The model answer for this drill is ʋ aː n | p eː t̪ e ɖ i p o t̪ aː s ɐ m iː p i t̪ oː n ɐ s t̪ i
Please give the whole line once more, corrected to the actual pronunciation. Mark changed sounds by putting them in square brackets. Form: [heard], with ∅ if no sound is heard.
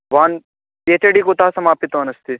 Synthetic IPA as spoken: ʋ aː n | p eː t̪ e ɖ i [k] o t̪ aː s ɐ m [aː] p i t̪ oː n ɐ s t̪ i